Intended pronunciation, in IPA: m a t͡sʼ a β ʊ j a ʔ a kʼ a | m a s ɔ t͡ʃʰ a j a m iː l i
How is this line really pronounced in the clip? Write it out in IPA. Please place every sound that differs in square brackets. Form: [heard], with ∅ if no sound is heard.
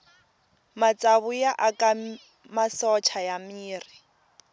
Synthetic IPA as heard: m a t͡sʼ a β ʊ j a ʔ a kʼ a | m a s ɔ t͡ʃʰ a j a m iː [r] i